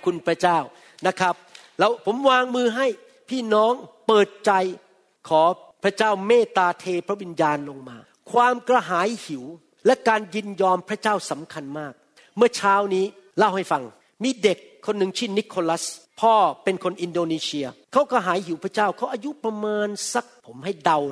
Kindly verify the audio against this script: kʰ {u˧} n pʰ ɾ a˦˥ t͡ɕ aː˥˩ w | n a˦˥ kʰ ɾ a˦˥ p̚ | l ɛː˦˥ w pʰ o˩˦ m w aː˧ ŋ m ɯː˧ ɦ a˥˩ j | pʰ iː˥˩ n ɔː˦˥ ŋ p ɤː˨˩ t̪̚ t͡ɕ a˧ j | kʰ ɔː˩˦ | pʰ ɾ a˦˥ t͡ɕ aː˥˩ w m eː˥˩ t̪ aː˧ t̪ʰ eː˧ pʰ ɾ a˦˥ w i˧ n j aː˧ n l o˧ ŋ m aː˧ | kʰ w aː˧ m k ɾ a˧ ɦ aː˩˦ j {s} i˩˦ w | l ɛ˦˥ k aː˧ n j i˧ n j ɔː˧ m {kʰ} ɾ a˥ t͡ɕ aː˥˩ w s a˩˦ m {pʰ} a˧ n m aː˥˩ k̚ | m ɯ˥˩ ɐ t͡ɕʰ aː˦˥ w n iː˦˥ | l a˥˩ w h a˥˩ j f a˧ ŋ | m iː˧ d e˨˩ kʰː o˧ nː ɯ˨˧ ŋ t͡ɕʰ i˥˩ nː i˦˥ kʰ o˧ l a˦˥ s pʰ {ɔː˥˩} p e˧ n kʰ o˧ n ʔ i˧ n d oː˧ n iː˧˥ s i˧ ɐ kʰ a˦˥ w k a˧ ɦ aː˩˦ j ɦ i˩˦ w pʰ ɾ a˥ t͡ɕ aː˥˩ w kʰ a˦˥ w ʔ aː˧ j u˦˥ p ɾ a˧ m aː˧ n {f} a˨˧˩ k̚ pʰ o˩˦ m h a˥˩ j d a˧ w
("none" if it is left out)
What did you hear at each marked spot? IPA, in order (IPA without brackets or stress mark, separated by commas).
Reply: u˧, h, pʰ, kʰ, ɔː˥˩, s